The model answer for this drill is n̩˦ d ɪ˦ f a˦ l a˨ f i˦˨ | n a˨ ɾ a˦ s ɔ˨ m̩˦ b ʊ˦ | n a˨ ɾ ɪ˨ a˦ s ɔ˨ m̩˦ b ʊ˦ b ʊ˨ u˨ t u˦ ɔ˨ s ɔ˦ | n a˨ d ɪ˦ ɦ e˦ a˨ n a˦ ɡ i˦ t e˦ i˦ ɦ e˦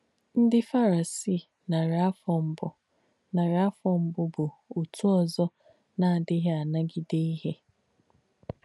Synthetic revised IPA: n̩˦ d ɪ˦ f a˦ ɾ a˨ s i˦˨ | n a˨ ɾ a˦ f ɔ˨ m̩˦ b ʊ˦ | n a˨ ɾ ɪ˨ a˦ f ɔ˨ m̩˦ b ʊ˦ b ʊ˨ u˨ t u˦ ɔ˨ z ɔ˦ | n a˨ d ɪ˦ ɦ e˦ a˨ n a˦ ɡ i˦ d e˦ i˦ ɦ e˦

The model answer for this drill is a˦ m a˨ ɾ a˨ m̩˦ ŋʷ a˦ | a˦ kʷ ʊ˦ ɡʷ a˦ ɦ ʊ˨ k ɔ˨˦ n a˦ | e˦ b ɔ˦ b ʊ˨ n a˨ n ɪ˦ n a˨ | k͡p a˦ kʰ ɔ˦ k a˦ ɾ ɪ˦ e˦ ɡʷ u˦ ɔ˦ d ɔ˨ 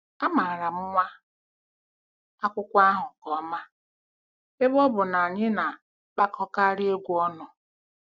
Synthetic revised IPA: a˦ m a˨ ɾ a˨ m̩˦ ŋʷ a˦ | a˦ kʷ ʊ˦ kʷ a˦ ɦ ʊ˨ k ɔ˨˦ m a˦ | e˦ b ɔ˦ b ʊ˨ n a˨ ɲ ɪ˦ n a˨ | k͡p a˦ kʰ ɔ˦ k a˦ ɾ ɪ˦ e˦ ɡʷ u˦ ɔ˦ n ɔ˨

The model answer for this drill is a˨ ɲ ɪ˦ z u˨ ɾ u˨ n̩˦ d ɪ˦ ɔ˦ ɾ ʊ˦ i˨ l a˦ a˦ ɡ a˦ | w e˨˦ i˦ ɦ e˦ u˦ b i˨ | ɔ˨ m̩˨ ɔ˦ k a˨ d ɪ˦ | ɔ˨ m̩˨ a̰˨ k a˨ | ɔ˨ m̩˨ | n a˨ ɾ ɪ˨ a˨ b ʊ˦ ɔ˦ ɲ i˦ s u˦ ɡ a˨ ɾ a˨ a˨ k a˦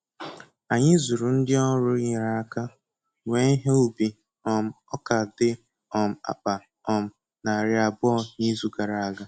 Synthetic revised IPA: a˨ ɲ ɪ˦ z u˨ ɾ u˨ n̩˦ d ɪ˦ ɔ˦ ɾ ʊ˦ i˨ ɾ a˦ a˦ k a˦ | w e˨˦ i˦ ɦ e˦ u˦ b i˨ | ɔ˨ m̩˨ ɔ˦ k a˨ d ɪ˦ | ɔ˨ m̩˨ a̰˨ k͡p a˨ | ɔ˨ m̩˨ | n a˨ ɾ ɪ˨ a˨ b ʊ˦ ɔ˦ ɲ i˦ z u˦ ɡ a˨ ɾ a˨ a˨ ɡ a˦

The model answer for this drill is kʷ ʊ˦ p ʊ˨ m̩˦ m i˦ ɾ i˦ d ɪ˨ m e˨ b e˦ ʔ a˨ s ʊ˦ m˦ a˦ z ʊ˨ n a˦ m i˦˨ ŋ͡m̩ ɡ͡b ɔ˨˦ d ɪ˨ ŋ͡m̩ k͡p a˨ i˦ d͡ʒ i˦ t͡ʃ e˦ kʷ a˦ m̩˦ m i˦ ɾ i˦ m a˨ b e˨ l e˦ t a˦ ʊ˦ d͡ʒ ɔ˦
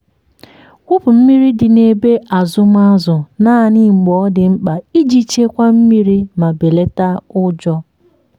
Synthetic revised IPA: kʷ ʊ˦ p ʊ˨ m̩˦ m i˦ ɾ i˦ d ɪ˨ n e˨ b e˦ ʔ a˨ z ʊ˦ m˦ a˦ z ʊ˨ n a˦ n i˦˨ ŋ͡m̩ ɡ͡b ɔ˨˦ d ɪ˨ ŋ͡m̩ k͡p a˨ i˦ d͡ʒ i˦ t͡ʃ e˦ kʷ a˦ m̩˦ m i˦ ɾ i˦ m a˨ b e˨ l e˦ t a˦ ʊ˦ d͡ʒ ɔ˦

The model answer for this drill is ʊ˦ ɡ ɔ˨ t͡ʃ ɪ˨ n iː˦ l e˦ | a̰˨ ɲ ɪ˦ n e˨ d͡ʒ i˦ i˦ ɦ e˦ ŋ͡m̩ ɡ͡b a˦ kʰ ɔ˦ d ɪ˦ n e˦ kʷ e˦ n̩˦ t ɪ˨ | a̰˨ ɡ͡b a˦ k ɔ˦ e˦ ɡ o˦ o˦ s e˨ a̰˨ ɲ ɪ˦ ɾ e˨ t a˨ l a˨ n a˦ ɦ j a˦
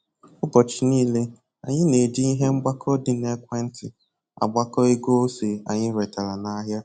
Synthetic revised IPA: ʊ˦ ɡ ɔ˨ t͡ʃ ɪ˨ n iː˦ l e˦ | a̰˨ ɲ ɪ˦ n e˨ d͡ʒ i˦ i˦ ɦ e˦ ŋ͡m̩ ɡ͡b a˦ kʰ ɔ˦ d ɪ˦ n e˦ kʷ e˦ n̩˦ t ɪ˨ | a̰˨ ɡ͡b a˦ k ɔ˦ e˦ ɡ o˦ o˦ s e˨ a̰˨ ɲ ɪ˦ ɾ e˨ t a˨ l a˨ n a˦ ɦ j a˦

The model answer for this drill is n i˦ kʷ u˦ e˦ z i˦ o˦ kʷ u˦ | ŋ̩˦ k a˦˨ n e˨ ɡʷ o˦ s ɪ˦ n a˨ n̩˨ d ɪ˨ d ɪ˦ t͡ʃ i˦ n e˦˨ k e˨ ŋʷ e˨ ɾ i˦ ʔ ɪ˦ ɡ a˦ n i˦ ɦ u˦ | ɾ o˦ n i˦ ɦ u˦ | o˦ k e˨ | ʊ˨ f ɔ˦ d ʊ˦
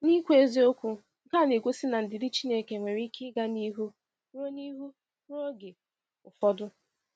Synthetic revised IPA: n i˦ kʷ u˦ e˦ z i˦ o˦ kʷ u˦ | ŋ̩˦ k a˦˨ n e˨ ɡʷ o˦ s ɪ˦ n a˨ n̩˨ d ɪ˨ d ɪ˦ t͡ʃ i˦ n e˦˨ k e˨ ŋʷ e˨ ɾ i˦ k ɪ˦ ɡ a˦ n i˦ ɦ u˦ | ɾ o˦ n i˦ ɦ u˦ | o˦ ɡ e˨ | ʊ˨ f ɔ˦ d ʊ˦

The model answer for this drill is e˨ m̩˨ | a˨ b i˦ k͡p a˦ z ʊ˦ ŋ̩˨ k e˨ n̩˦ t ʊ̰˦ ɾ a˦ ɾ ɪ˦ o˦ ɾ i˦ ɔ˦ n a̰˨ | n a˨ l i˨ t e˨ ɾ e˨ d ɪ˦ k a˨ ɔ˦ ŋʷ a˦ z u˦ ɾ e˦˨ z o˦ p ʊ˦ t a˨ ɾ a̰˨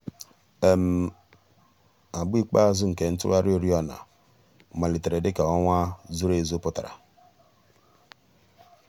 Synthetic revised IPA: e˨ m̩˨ | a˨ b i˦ k͡p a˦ z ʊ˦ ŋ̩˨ k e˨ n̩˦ t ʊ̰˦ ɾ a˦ ɾ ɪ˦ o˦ ɾ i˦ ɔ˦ n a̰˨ | m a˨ l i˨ t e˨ ɾ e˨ d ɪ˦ k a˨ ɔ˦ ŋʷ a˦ z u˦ ɾ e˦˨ z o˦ p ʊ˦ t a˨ ɾ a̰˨

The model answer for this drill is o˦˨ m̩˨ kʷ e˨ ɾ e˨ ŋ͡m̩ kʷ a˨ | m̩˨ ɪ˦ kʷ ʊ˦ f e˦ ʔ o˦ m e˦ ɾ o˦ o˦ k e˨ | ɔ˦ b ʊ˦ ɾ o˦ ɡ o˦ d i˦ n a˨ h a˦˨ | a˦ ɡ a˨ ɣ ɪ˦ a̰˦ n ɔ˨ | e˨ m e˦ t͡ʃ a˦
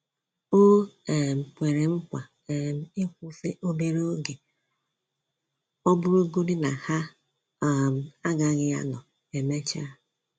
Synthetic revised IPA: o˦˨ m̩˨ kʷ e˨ ɾ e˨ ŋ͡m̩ kʷ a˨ | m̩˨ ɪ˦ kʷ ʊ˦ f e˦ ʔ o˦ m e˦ ɾ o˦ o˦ ɡ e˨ | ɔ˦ b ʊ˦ ɾ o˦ ɡ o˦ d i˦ n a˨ h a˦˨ | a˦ ɡ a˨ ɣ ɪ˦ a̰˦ n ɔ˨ | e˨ m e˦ t͡ʃ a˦

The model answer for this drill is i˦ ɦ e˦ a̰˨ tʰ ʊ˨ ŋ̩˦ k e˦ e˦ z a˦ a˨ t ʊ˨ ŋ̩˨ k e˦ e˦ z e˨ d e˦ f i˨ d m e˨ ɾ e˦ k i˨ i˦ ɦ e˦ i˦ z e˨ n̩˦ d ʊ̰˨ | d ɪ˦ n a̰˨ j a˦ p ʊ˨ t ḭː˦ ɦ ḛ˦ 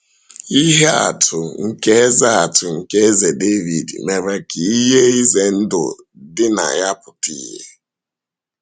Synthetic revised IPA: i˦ ɦ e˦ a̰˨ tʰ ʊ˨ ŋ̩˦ k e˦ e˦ z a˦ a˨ t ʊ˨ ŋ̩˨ k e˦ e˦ z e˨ d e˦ v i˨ d m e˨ ɾ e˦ k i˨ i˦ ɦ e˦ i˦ z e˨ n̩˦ d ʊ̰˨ | d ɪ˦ n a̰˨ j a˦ p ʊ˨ t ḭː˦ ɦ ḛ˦

